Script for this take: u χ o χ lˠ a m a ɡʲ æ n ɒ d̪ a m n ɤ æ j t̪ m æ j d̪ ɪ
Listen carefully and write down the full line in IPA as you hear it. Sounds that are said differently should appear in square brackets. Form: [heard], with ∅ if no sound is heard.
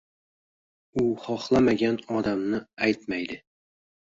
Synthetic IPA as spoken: u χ [ɒ] χ lˠ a m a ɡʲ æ n ɒ d̪ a m n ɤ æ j t̪ m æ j d̪ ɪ